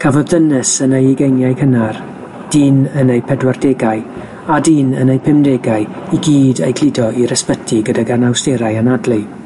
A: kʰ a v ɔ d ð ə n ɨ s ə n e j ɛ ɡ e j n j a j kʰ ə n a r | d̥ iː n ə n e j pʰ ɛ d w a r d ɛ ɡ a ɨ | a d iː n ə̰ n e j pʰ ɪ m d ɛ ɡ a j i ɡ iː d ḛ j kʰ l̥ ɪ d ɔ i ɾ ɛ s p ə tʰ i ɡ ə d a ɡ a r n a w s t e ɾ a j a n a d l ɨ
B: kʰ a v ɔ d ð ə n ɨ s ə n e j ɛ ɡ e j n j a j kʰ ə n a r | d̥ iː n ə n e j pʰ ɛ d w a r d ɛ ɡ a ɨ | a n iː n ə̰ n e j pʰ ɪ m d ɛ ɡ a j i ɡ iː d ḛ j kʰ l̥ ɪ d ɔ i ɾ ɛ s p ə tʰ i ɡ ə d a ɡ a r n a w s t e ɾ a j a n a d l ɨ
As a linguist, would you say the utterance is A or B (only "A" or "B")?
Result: A